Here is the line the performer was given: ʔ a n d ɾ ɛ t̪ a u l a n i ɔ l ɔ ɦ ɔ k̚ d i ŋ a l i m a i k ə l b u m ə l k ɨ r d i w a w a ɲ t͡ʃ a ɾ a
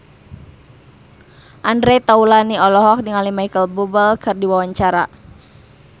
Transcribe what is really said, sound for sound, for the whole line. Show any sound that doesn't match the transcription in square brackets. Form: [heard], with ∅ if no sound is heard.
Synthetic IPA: ʔ a n d ɾ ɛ t̪ a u l a n i ɔ l ɔ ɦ ɔ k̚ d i ŋ a l i m a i k ə l b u [b] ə l k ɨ r d i w a w a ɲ t͡ʃ a ɾ a

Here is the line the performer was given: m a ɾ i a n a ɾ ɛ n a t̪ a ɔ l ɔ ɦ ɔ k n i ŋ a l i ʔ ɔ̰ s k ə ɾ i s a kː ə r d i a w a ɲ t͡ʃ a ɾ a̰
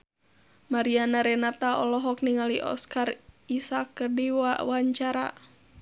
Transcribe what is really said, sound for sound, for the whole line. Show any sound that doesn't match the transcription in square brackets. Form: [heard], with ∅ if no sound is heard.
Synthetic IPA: m a ɾ i a n a ɾ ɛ n a t̪ a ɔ l ɔ ɦ ɔ k n i ŋ a l i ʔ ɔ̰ s k [a] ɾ i s a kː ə r d i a w a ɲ t͡ʃ a ɾ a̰

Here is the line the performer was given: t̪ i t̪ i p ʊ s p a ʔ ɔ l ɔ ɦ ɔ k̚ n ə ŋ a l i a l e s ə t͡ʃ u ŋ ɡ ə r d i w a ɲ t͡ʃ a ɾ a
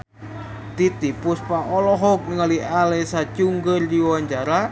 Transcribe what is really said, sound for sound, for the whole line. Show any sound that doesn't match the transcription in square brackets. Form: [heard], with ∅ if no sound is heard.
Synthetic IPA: t̪ i t̪ i p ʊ s p a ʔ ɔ l ɔ ɦ ɔ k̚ n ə ŋ a l i a l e s [a] t͡ʃ u ŋ ɡ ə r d i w a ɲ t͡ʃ a ɾ a

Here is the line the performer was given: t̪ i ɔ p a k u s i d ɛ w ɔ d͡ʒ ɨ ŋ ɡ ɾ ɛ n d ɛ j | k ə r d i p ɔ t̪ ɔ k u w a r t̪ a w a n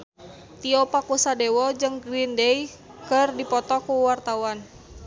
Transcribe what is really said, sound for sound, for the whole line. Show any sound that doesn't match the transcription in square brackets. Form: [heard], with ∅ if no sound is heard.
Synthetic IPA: t̪ i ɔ p a k u s [a] d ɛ w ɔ d͡ʒ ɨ ŋ ɡ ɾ [i] n d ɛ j | k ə r d i p ɔ t̪ ɔ k u w a r t̪ a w a n

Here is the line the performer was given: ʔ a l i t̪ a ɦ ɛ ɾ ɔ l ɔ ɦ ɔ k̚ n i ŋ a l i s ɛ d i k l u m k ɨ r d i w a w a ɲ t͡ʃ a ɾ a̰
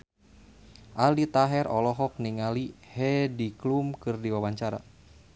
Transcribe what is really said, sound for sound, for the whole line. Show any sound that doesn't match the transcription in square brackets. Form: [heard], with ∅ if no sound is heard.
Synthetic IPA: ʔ a l i t̪ a ɦ ɛ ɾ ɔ l ɔ ɦ ɔ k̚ n i ŋ a l i [h] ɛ d i k l u m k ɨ r d i w a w a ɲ t͡ʃ a ɾ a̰

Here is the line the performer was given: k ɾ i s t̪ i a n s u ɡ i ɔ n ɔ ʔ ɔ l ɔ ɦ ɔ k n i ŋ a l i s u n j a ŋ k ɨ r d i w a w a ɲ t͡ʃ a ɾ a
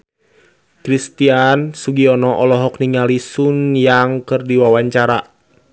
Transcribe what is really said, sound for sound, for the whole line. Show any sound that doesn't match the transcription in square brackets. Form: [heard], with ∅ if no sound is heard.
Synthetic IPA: k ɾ i s t̪ i a n s u ɡ i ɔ n ɔ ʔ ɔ l ɔ ɦ ɔ k n i ŋ a l i s u n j a ŋ k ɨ r d i w a w a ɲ t͡ʃ a ɾ a

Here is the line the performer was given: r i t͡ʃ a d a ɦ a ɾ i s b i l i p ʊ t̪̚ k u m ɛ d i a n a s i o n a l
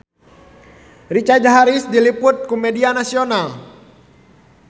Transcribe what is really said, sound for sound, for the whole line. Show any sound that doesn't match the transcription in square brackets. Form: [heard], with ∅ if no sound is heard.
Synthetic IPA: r i t͡ʃ a [d͡ʒ] a ɦ a ɾ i s [d] i l i p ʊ t̪̚ k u m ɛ d i a n a s i o n a l

